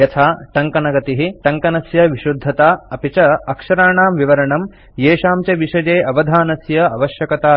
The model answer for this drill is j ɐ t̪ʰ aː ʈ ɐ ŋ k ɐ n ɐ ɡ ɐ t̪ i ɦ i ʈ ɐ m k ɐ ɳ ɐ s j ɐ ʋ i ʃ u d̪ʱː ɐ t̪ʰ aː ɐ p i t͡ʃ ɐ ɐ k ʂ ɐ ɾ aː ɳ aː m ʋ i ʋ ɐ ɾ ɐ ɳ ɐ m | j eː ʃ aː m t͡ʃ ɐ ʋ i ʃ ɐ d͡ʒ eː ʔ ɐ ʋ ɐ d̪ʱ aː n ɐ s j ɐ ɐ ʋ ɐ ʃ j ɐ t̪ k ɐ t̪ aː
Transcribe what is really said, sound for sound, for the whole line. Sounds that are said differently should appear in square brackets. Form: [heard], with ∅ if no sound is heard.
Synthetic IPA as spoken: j ɐ t̪ʰ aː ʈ ɐ ŋ k ɐ n ɐ ɡ ɐ t̪ i ɦ i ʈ ɐ [ŋ] k ɐ [n] ɐ s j ɐ ʋ i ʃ u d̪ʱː ɐ [t̪] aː ɐ p i t͡ʃ ɐ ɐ k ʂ ɐ ɾ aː ɳ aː m ʋ i ʋ ɐ ɾ ɐ ɳ ɐ m | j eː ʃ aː m t͡ʃ ɐ ʋ i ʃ ɐ d͡ʒ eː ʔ ɐ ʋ ɐ d̪ʱ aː n ɐ s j ɐ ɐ ʋ ɐ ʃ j ɐ [∅] k ɐ t̪ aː